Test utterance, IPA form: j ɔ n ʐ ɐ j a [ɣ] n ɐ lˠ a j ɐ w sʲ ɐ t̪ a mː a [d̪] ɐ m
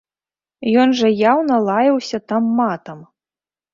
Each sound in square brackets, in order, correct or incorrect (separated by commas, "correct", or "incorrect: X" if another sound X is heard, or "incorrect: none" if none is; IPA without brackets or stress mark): incorrect: w, incorrect: t̪